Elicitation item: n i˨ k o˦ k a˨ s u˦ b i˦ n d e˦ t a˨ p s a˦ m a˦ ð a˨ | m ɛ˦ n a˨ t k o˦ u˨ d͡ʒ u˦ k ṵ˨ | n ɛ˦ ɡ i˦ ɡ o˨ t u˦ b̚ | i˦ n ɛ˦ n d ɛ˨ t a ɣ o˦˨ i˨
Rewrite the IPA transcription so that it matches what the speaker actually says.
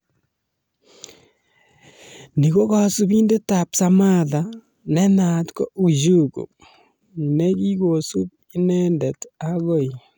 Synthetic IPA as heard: n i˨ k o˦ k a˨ s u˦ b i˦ n d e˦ t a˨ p s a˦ m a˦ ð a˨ | n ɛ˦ n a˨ t k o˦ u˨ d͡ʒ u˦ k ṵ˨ | n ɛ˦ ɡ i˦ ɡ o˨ s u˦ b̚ | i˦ n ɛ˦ n d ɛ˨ t a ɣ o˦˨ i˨